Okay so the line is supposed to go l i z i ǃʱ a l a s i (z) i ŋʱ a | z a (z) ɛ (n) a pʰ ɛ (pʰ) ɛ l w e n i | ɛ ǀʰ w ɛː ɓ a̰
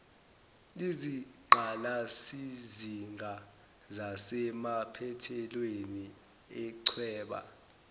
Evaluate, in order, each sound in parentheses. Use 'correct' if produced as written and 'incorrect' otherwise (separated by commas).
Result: correct, incorrect, incorrect, incorrect